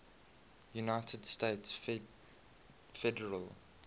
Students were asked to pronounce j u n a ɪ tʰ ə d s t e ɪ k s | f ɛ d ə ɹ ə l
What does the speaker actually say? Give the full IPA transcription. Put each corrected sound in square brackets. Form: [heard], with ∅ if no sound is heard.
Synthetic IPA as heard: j u n a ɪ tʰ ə d s t e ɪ [t] s | f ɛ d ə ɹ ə l